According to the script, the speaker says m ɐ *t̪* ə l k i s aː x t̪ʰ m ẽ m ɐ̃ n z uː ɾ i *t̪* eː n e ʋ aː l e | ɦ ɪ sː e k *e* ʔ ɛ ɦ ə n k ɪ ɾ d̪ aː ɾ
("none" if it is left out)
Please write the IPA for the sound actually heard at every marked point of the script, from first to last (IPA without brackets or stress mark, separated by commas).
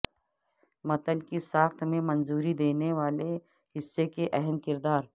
t̪, d̪, e